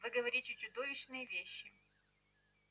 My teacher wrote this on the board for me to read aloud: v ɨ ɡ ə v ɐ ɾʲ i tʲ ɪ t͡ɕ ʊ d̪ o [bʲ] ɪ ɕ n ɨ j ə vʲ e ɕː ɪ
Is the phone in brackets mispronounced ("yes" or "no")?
yes